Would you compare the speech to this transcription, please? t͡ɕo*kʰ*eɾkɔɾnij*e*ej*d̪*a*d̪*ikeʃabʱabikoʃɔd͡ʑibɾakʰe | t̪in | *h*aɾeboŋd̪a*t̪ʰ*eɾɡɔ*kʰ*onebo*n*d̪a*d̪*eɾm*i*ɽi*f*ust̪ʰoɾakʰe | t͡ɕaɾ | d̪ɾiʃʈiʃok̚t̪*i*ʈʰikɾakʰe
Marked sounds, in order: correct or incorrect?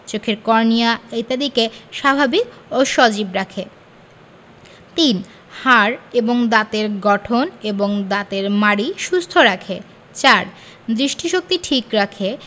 correct, incorrect: a, incorrect: t̪, correct, correct, incorrect: t̪, incorrect: ʈʰ, incorrect: ŋ, incorrect: t̪, incorrect: a, incorrect: ʃ, correct

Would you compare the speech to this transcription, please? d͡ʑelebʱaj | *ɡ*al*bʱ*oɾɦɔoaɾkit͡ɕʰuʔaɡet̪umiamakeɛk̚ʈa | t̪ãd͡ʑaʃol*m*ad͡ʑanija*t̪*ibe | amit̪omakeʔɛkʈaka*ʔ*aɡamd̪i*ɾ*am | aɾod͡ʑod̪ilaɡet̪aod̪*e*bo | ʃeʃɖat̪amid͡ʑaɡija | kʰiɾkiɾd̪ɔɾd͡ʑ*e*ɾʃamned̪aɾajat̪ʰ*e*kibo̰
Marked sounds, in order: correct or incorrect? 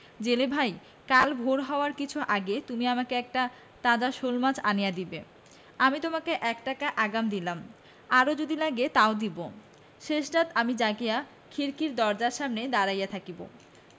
incorrect: k, correct, correct, incorrect: d̪, correct, incorrect: l, incorrect: i, incorrect: a, incorrect: a

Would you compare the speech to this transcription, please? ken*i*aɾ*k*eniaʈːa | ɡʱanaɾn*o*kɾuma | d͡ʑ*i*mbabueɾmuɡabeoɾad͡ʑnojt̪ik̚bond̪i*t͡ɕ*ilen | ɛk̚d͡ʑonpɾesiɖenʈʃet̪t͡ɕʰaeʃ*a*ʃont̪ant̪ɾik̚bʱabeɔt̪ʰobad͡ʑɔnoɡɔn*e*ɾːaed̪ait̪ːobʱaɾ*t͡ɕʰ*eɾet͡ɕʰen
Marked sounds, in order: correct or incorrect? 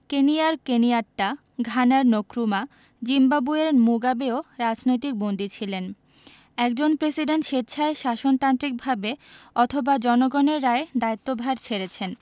correct, correct, correct, correct, incorrect: t͡ɕʰ, correct, correct, correct

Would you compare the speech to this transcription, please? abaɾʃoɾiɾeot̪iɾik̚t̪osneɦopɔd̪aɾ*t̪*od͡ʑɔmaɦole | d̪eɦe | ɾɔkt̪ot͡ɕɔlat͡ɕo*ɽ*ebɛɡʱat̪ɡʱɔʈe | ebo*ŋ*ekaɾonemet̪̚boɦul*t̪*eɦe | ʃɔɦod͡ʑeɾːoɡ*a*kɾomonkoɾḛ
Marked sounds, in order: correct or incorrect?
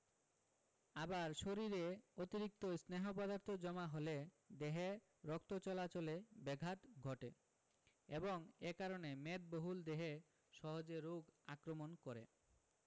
incorrect: t̪ʰ, incorrect: l, correct, incorrect: d̪, correct

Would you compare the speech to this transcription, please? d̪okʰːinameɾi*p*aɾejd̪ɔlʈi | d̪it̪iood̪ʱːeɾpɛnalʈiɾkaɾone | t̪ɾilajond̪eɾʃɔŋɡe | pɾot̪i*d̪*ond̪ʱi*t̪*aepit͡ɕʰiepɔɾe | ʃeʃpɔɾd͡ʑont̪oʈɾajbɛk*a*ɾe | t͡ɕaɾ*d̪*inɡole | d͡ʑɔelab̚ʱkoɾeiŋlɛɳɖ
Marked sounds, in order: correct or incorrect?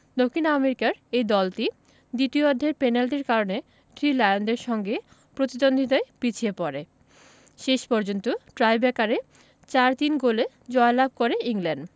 incorrect: k, correct, correct, correct, incorrect: t̪

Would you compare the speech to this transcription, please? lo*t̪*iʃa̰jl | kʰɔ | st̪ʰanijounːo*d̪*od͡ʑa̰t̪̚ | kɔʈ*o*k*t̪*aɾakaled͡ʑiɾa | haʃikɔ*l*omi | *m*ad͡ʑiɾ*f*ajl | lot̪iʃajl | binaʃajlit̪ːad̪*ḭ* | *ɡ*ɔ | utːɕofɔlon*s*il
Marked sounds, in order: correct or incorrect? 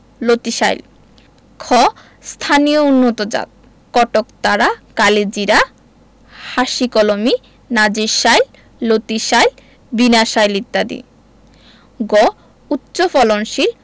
correct, incorrect: t̪, correct, correct, correct, incorrect: n, incorrect: ʃ, correct, correct, incorrect: ʃ

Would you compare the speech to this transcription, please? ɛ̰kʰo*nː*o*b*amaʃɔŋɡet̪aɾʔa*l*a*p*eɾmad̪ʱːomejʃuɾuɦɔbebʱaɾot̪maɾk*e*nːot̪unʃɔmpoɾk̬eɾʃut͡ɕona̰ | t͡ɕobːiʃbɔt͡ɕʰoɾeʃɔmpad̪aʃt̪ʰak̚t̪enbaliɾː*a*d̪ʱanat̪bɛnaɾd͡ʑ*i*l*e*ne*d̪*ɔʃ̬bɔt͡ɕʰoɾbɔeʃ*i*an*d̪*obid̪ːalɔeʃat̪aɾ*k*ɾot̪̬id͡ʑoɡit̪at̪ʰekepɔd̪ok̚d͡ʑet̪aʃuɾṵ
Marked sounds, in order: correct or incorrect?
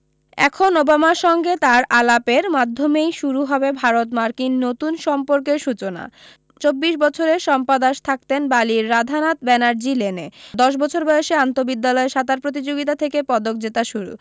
incorrect: n, correct, correct, correct, incorrect: i, correct, correct, correct, correct, incorrect: e, incorrect: t̪, incorrect: p

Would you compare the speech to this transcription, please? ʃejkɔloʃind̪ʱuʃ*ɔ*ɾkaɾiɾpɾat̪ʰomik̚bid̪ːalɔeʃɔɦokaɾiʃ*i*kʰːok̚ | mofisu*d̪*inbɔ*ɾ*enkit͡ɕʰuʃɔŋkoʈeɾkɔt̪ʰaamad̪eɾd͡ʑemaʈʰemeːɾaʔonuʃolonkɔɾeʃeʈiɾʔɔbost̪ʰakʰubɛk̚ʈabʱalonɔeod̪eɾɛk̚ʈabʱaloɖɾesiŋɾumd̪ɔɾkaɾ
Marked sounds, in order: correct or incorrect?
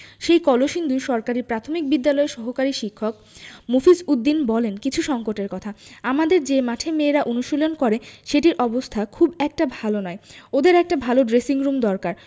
correct, correct, incorrect: d̪ː, incorrect: l

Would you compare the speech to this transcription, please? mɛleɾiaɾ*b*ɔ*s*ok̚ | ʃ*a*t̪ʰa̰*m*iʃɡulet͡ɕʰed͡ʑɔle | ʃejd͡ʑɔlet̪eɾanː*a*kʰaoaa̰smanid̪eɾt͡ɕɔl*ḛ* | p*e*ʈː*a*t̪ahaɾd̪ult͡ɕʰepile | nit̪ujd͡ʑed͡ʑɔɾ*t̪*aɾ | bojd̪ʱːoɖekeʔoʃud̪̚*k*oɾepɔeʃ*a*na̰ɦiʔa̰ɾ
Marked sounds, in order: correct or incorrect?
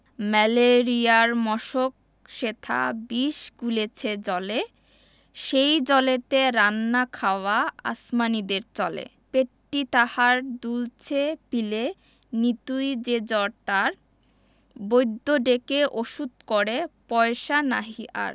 incorrect: m, incorrect: ʃ, incorrect: e, incorrect: b, correct, correct, correct, incorrect: i, correct, correct, correct

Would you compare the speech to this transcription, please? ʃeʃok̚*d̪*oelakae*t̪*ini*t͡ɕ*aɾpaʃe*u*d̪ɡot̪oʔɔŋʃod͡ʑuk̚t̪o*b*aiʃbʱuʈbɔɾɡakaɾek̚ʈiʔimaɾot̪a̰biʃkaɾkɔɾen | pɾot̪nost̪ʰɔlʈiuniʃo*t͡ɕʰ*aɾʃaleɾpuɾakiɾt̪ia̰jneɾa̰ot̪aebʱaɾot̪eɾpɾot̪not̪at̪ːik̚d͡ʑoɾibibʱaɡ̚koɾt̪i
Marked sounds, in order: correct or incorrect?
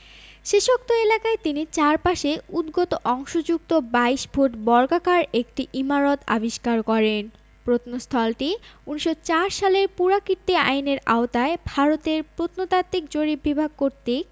incorrect: t̪, correct, correct, correct, correct, incorrect: t͡ɕ

